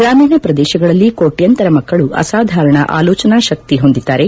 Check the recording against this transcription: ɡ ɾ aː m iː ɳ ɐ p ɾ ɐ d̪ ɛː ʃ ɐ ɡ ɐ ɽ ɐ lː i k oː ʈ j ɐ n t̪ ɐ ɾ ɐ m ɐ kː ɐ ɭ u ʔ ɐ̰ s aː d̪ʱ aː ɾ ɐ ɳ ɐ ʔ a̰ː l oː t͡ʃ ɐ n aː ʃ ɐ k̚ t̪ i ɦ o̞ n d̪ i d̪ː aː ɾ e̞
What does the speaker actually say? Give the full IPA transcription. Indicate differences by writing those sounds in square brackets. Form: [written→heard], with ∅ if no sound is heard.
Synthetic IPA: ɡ ɾ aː m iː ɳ ɐ p ɾ ɐ d̪ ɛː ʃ ɐ ɡ ɐ [ɽ→ɭ] ɐ lː i k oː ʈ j ɐ n t̪ ɐ ɾ ɐ m ɐ kː ɐ ɭ u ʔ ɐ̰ s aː d̪ʱ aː ɾ ɐ ɳ ɐ ʔ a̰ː l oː t͡ʃ ɐ n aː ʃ ɐ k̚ t̪ i ɦ o̞ n d̪ i d̪ː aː ɾ e̞

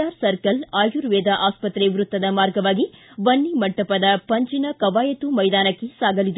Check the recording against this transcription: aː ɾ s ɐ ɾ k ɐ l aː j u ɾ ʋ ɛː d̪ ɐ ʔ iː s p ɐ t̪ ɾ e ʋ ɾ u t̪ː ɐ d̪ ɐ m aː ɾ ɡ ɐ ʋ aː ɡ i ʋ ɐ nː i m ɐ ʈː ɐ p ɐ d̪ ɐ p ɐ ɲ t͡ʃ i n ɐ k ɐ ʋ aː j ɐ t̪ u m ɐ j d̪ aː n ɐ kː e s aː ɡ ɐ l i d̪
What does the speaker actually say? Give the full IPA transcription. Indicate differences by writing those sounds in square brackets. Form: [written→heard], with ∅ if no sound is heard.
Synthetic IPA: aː ɾ s ɐ ɾ k ɐ l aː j u ɾ ʋ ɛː d̪ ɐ ʔ [iː→aː] s p ɐ t̪ ɾ e ʋ ɾ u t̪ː ɐ d̪ ɐ m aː ɾ ɡ ɐ ʋ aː ɡ i ʋ ɐ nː i m ɐ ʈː ɐ p ɐ d̪ ɐ p ɐ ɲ t͡ʃ i n ɐ k ɐ ʋ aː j ɐ t̪ u m ɐ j d̪ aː n ɐ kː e s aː ɡ ɐ l i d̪

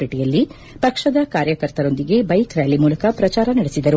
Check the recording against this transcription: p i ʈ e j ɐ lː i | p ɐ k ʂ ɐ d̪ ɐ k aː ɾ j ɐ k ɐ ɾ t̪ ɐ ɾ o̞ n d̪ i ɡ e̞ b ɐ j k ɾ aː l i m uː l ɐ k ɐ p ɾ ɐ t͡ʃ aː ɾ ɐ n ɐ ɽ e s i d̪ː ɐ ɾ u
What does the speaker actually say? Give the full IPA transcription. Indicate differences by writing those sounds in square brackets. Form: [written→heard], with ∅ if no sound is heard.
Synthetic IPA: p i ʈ [e→i] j ɐ lː i | p ɐ k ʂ ɐ d̪ ɐ k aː ɾ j ɐ k ɐ ɾ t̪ ɐ ɾ o̞ n d̪ i ɡ e̞ b ɐ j k ɾ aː l i m uː l ɐ k ɐ p ɾ ɐ t͡ʃ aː ɾ ɐ n ɐ ɽ e s i [d̪ː→d̪] ɐ ɾ u

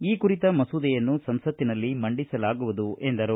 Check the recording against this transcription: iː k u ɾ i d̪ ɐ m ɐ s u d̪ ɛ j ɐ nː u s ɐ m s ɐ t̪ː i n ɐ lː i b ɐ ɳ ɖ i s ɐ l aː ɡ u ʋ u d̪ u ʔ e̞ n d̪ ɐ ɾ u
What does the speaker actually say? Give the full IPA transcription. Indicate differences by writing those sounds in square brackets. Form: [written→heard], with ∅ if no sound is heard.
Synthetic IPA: iː k u ɾ i [d̪→t̪] ɐ m ɐ s u d̪ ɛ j ɐ nː u s ɐ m s ɐ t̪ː i n ɐ lː i [b→m] ɐ ɳ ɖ i s ɐ l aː ɡ u ʋ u d̪ u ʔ e̞ n d̪ ɐ ɾ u

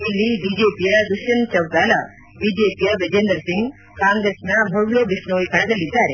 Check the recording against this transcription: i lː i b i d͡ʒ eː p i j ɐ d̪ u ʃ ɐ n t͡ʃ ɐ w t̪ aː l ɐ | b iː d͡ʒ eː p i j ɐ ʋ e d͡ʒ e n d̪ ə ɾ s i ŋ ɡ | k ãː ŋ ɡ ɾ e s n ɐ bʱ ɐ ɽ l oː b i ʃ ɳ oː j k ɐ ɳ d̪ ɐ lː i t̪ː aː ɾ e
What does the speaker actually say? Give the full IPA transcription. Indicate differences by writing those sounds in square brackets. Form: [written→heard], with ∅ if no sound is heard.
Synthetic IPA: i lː i b i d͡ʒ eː p i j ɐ d̪ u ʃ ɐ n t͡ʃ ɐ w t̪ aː l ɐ | b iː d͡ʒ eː p i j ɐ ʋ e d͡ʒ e n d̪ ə ɾ s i ŋ ɡ | k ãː ŋ ɡ ɾ e s n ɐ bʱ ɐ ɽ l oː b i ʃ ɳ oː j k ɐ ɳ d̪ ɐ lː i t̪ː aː ɾ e

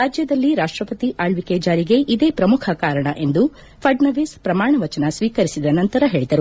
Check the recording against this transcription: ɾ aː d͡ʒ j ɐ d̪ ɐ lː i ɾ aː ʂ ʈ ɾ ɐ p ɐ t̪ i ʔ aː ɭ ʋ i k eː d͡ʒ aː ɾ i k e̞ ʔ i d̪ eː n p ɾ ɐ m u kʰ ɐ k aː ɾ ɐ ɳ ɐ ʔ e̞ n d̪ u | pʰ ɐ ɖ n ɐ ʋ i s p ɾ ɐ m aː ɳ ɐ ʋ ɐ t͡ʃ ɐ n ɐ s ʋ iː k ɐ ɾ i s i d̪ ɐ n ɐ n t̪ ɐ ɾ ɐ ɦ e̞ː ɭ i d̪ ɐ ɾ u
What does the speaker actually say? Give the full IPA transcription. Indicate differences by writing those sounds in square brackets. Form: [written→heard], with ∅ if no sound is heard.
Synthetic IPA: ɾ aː d͡ʒ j ɐ d̪ ɐ lː i ɾ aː ʂ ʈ ɾ ɐ p ɐ t̪ i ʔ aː ɭ ʋ i k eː d͡ʒ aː ɾ i [k→ɡ] e̞ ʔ i d̪ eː [n→∅] p ɾ ɐ m u kʰ ɐ k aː ɾ ɐ ɳ ɐ ʔ e̞ n d̪ u | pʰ ɐ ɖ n ɐ ʋ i s p ɾ ɐ m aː ɳ ɐ ʋ ɐ t͡ʃ ɐ n ɐ s ʋ iː k ɐ ɾ i s i d̪ ɐ n ɐ n t̪ ɐ ɾ ɐ ɦ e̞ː ɭ i d̪ ɐ ɾ u

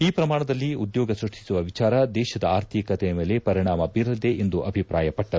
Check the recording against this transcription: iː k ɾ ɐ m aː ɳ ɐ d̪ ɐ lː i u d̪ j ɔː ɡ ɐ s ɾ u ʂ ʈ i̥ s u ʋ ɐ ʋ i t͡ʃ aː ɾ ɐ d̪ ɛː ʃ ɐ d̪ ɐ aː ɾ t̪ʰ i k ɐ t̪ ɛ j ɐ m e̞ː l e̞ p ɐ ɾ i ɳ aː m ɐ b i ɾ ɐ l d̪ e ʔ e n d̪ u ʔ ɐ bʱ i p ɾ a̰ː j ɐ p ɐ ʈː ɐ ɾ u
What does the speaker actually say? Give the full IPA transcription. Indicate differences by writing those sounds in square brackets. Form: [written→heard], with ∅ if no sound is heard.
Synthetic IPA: iː [k→p] ɾ ɐ m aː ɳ ɐ d̪ ɐ lː i u d̪ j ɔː ɡ ɐ s ɾ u ʂ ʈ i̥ s u ʋ ɐ ʋ i t͡ʃ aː ɾ ɐ d̪ ɛː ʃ ɐ d̪ ɐ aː ɾ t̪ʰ i k ɐ t̪ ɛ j ɐ m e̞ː l e̞ p ɐ ɾ i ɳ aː m ɐ b i ɾ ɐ l d̪ e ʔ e n d̪ u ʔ ɐ bʱ i p ɾ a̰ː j ɐ p ɐ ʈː ɐ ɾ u

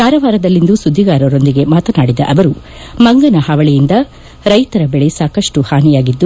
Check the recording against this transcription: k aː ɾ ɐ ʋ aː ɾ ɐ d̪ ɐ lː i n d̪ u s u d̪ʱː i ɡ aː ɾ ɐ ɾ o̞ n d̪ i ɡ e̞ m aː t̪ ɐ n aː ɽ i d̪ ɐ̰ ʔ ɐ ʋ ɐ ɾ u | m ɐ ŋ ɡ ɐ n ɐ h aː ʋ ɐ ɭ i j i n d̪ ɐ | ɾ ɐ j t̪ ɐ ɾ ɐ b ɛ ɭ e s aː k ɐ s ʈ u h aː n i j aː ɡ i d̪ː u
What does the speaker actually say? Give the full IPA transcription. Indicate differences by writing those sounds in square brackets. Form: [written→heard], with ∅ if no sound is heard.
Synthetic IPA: k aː ɾ ɐ ʋ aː ɾ ɐ d̪ ɐ lː i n d̪ u s u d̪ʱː i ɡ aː ɾ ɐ ɾ o̞ n d̪ i ɡ e̞ m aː t̪ ɐ n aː ɽ i d̪ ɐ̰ ʔ ɐ ʋ ɐ ɾ u | m ɐ ŋ ɡ ɐ n ɐ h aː ʋ ɐ ɭ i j i n d̪ ɐ | ɾ ɐ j t̪ ɐ ɾ ɐ b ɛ ɭ e s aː k ɐ [s→ʂ] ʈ u h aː n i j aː ɡ i d̪ː u

